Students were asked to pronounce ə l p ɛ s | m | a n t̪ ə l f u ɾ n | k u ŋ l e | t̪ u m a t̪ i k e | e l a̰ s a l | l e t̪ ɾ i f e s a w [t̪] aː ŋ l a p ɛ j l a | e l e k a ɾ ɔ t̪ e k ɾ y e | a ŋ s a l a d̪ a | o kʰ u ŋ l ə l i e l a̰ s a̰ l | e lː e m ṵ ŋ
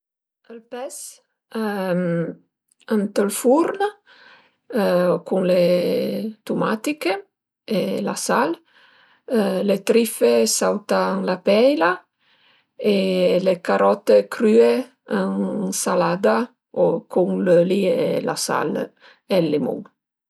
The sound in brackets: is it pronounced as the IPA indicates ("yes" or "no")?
yes